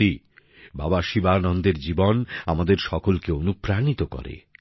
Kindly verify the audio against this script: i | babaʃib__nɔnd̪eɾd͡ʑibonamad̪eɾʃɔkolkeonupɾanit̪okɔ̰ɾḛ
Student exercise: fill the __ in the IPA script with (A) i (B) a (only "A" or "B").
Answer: B